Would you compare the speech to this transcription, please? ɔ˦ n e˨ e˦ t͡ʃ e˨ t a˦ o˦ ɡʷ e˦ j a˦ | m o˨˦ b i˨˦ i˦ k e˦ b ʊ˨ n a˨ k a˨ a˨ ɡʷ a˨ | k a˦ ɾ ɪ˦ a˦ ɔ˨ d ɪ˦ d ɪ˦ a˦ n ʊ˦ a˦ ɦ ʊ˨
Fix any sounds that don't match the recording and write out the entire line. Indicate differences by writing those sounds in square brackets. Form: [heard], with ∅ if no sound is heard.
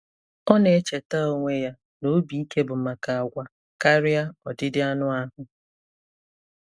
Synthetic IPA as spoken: ɔ˦ n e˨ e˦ t͡ʃ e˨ t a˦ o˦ [ŋʷ] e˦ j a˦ | [n] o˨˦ b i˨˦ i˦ k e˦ b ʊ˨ [m] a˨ k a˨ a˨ ɡʷ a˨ | k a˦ ɾ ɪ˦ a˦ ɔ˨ d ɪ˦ d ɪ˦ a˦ n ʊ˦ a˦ ɦ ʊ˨